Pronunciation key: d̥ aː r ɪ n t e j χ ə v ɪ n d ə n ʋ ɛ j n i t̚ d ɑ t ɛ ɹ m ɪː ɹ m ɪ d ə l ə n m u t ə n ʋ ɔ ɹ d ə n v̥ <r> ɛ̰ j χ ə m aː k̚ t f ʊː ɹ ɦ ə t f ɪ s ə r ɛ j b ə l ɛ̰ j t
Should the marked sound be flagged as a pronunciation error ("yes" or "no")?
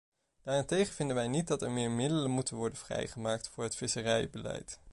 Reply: no